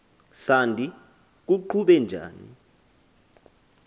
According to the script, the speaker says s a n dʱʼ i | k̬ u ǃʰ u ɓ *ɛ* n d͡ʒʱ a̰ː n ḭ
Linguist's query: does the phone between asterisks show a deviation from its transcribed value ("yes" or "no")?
no